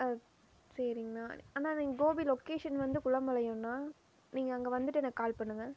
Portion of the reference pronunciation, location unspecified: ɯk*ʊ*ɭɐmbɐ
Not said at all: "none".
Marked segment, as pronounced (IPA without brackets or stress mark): ʊ